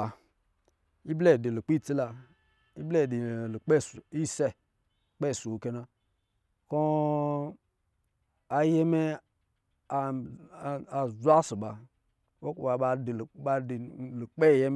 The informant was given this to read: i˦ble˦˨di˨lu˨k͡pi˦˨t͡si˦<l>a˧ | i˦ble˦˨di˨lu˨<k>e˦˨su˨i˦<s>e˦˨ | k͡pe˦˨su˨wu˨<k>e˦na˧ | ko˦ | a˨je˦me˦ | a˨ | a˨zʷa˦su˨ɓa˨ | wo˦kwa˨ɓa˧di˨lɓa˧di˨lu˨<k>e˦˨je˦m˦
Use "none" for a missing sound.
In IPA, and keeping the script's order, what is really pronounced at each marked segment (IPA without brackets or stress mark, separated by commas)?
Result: l, k͡p, s, k, k͡p